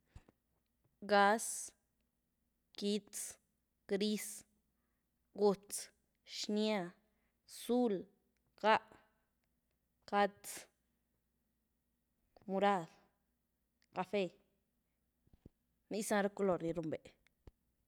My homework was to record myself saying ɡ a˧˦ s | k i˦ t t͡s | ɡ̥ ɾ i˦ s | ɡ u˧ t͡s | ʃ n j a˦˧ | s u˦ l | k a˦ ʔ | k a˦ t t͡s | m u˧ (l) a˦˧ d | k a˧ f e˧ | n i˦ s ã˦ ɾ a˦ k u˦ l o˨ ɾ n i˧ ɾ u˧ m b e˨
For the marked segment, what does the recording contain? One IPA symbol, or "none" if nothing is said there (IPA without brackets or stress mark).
ɾ